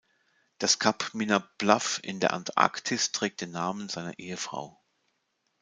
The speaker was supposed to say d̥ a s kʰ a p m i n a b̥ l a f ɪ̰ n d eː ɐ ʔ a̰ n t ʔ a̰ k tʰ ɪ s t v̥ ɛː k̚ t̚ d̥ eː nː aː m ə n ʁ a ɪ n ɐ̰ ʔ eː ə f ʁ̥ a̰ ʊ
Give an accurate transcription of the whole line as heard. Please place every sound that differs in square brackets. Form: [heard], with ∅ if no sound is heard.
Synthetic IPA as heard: d̥ a s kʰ a p m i n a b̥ l a f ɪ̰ n d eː ɐ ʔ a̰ n t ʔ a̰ k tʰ ɪ s t [ʁ̥] ɛː k̚ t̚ d̥ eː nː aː m ə n [z] a ɪ n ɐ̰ ʔ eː ə f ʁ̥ a̰ ʊ